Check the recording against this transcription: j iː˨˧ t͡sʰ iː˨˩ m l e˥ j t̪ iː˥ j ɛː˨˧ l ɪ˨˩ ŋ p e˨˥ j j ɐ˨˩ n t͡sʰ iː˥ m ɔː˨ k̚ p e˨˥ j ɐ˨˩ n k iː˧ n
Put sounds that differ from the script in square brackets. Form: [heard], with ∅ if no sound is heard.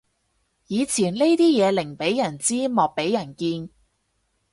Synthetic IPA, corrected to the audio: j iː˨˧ t͡sʰ iː˨˩ [n] l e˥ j t̪ iː˥ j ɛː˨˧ l ɪ˨˩ ŋ p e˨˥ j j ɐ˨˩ n [t͡s] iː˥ m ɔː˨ k̚ p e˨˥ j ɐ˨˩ n k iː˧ n